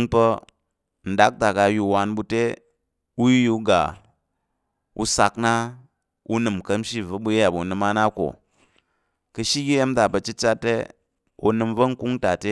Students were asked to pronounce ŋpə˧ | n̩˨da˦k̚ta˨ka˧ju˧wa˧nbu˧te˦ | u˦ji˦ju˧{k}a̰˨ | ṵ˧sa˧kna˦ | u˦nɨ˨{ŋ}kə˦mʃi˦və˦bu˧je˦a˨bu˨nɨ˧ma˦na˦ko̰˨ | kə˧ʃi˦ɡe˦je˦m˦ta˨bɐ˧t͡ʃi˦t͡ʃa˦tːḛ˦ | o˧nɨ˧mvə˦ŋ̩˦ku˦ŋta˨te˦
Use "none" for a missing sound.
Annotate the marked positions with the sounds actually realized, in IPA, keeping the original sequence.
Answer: ɡ, m

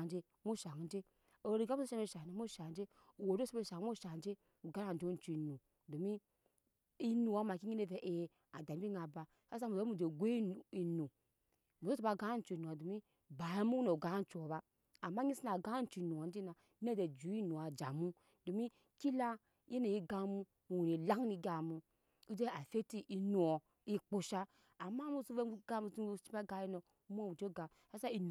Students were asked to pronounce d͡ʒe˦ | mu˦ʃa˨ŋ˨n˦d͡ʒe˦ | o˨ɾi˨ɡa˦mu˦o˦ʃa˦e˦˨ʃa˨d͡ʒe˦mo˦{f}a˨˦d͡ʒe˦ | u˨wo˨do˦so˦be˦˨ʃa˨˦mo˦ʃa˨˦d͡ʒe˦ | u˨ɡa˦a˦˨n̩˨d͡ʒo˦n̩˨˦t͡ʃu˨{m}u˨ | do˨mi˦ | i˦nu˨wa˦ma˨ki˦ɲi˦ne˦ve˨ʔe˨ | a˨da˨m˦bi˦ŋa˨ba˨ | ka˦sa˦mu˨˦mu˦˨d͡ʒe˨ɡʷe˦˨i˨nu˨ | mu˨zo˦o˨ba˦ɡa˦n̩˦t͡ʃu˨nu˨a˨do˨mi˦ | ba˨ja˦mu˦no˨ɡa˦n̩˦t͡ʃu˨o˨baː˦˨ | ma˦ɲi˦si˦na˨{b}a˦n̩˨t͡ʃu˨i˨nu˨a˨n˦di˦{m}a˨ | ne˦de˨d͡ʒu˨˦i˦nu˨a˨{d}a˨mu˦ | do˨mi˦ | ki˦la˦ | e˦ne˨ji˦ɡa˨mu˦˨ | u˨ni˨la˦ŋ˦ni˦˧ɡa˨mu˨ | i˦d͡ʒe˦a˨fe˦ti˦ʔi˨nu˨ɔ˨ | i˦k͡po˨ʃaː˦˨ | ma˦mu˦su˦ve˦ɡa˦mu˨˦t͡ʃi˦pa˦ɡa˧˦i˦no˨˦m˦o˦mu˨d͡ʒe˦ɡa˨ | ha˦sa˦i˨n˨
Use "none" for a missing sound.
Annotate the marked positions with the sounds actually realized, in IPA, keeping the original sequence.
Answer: ʃ, n, ɡ, n, d͡ʒ

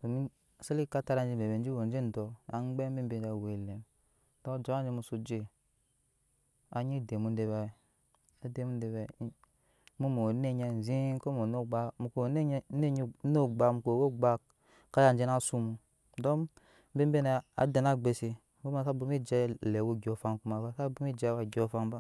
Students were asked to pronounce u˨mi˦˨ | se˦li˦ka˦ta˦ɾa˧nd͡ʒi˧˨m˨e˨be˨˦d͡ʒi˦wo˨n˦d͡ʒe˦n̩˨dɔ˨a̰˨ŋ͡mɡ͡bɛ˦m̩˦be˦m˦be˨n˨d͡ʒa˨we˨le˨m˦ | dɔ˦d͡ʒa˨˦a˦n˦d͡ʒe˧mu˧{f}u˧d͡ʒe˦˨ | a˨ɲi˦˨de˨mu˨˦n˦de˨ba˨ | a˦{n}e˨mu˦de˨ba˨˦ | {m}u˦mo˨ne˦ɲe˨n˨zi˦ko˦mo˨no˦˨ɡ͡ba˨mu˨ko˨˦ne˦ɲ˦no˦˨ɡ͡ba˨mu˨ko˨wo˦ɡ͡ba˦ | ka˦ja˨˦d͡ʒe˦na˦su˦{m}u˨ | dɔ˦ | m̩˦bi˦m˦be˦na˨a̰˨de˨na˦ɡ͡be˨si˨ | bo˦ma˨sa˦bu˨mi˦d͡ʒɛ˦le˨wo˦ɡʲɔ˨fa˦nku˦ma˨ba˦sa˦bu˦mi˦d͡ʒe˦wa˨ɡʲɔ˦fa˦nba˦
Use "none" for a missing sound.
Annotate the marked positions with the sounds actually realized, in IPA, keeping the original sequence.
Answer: s, d, m, m

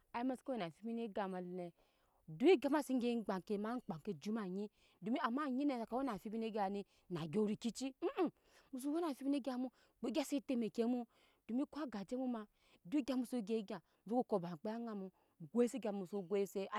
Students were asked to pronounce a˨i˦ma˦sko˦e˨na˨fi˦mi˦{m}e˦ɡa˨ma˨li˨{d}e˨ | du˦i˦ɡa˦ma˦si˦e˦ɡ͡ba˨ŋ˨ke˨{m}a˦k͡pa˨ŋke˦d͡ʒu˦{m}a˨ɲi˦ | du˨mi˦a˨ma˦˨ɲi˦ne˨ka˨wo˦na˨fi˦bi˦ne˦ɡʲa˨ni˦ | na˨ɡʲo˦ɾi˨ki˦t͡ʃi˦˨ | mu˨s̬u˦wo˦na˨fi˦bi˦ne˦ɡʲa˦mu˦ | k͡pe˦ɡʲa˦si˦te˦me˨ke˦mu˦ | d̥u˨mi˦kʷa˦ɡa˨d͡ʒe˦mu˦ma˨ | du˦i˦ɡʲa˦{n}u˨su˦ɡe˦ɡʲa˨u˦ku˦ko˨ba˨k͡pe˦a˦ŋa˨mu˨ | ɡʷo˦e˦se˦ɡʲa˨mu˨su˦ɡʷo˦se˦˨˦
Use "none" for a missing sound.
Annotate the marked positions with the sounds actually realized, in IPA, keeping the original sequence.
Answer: n, n, m, m, m

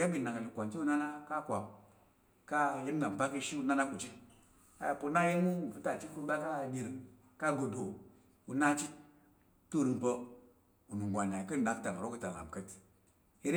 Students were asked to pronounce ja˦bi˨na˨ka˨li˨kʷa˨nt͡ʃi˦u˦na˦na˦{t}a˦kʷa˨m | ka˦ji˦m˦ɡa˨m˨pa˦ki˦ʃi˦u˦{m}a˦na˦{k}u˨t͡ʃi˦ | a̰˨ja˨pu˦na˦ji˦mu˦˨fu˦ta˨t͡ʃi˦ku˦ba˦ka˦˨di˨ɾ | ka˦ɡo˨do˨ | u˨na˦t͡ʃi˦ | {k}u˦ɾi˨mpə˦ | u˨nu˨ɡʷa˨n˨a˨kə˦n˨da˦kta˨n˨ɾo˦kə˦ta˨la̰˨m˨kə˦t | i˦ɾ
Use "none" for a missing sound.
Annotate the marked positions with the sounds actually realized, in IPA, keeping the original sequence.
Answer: k, n, k, t

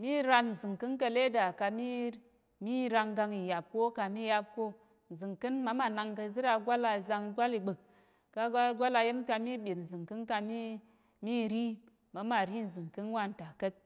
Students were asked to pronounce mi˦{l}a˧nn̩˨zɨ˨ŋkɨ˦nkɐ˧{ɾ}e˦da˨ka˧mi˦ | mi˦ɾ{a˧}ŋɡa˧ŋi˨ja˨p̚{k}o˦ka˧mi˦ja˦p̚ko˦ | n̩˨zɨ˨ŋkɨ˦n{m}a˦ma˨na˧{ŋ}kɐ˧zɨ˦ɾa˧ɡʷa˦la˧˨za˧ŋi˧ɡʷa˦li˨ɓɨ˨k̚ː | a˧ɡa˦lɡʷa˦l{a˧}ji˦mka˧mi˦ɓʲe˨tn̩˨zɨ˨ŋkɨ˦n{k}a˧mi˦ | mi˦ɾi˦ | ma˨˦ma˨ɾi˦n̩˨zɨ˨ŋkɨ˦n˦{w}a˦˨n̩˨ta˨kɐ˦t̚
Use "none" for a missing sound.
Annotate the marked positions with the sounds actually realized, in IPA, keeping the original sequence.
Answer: ɾ, l, a˧, k, m, ŋ, a˧, k, w

